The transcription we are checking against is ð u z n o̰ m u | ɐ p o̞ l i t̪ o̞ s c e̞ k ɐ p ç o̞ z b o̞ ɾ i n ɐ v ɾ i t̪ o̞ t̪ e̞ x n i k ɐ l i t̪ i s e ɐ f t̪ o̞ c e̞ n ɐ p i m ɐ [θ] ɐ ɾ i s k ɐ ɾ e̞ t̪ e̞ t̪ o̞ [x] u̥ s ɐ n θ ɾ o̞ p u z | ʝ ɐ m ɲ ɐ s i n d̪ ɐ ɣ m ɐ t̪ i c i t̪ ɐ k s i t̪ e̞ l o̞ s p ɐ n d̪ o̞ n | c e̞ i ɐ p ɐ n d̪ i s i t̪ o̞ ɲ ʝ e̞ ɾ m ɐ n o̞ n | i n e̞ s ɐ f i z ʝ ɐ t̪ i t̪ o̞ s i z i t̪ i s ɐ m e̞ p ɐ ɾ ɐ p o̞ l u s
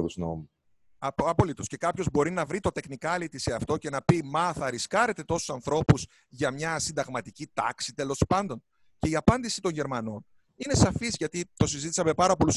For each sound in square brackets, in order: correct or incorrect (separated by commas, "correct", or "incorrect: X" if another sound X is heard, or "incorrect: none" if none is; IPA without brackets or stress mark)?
correct, incorrect: s